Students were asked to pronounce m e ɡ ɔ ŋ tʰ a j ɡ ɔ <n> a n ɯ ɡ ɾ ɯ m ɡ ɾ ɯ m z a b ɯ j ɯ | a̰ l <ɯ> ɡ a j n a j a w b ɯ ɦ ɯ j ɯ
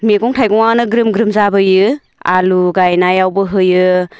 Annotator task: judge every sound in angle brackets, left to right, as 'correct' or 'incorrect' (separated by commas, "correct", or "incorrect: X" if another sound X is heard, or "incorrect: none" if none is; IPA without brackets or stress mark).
incorrect: ŋ, incorrect: u